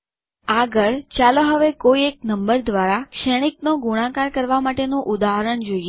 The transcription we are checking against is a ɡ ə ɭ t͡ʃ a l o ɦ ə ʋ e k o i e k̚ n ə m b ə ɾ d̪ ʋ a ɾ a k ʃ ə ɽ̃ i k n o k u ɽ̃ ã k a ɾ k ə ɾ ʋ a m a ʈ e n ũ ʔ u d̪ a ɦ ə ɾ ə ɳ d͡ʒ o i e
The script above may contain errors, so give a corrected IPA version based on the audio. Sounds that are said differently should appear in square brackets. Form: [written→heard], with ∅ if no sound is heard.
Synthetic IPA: a ɡ ə ɭ t͡ʃ a l o ɦ ə ʋ e k o i e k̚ n ə m b ə ɾ d̪ ʋ a ɾ a k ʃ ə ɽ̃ i k n o [k→ɡ] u ɽ̃ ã k a ɾ k ə ɾ ʋ a m a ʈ e n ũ ʔ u d̪ a ɦ ə ɾ ə ɳ d͡ʒ o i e